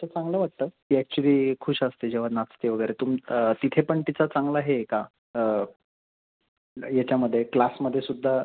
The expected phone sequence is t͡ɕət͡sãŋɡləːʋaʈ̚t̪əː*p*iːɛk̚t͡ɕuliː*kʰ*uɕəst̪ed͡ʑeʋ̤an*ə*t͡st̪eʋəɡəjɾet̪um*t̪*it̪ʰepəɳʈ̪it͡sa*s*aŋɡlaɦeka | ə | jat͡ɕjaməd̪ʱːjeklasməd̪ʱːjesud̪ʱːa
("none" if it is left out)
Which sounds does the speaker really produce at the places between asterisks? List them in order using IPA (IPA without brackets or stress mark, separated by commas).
k, kʰ, a, t̪, t͡s